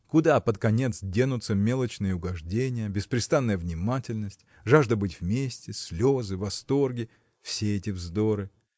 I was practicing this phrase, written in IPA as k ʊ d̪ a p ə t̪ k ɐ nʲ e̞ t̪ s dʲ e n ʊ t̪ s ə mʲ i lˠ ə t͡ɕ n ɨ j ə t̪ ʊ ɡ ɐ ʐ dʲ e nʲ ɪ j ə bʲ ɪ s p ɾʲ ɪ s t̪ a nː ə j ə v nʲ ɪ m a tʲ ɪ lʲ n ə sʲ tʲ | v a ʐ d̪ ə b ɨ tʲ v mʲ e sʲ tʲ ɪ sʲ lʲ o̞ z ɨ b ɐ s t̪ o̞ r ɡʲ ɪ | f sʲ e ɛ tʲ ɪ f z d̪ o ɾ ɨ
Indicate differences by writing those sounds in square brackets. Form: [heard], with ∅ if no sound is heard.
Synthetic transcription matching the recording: k ʊ d̪ a p ə t̪ k ɐ nʲ e̞ t̪ s dʲ e n ʊ t̪ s ə mʲ [e] lˠ ə t͡ɕ n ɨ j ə [∅] ʊ ɡ ɐ ʐ dʲ e nʲ ɪ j ə bʲ ɪ s p ɾʲ ɪ s t̪ a nː ə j ə v nʲ ɪ m a tʲ ɪ lʲ n ə sʲ tʲ | [ʐ] a ʐ d̪ ə b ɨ tʲ v mʲ e sʲ tʲ ɪ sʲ lʲ o̞ z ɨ [v] ɐ s t̪ o̞ r ɡʲ ɪ | f sʲ e ɛ tʲ ɪ [v] z d̪ o ɾ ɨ